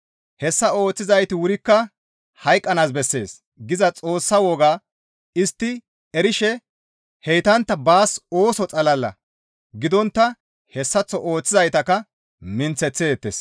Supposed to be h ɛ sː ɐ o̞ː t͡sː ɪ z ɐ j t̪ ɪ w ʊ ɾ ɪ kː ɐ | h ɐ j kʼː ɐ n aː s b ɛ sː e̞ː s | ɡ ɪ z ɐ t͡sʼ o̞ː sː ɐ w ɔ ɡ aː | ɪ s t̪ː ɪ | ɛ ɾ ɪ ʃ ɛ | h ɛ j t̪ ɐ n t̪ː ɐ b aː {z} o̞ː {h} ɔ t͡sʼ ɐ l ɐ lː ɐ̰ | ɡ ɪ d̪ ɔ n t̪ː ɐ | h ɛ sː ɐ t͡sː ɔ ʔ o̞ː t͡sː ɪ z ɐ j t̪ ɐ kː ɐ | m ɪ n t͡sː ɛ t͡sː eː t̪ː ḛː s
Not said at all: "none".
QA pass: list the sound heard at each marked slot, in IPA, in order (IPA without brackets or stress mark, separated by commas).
s, s